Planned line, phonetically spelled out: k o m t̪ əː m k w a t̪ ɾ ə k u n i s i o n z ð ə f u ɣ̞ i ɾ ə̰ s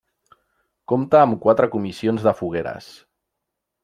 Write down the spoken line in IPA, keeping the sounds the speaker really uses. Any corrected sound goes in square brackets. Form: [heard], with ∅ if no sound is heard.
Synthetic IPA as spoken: k o m t̪ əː m k w a t̪ ɾ ə k u [m] i s i o n z ð ə f u ɣ̞ [e] ɾ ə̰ s